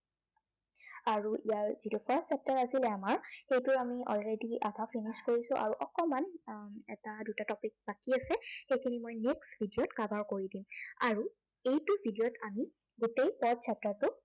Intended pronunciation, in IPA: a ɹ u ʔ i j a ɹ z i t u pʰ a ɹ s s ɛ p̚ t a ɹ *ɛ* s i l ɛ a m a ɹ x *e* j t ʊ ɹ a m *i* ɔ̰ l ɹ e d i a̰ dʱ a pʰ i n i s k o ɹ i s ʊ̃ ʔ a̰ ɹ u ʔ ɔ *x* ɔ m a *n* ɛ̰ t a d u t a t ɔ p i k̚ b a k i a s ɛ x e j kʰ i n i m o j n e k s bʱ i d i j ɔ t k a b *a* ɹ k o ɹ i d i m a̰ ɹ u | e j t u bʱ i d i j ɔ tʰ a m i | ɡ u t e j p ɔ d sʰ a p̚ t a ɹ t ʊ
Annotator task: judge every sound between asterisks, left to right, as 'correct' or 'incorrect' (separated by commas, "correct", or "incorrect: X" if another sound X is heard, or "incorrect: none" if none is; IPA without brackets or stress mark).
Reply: incorrect: a, correct, correct, incorrect: k, correct, correct